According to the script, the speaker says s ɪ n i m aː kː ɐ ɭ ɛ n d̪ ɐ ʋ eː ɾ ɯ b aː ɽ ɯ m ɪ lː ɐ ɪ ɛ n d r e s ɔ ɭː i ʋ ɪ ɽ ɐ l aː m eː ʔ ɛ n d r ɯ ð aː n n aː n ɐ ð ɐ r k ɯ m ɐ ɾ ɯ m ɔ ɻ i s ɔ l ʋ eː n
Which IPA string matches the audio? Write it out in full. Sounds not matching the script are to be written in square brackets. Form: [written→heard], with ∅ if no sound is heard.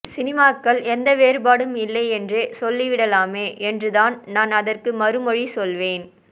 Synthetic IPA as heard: s ɪ n [i→ɪ] m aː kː ɐ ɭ ɛ n d̪ ɐ ʋ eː ɾ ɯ b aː ɽ ɯ m ɪ lː ɐ ɪ ɛ n d r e s ɔ [ɭː→lː] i ʋ ɪ ɽ ɐ l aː m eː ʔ ɛ n d r ɯ ð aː n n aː n ɐ ð ɐ r k ɯ m ɐ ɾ ɯ m ɔ ɻ i s ɔ l ʋ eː n